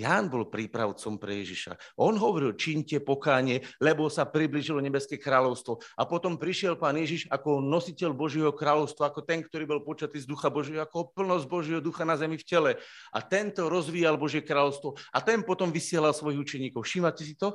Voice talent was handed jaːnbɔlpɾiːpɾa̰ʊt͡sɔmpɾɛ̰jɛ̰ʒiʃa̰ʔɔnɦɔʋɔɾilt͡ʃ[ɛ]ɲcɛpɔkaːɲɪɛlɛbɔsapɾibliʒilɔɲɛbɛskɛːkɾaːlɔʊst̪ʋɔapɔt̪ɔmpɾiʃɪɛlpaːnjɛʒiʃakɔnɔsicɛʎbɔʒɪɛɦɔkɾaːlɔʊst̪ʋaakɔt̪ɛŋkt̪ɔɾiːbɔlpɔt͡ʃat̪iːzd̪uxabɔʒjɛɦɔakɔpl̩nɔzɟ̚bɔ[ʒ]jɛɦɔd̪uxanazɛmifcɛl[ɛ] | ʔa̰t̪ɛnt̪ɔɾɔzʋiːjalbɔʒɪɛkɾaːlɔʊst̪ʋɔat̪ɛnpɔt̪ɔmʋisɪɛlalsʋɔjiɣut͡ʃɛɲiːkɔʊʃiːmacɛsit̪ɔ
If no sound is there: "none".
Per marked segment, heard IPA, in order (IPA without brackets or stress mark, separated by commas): i, ʒ, ɛ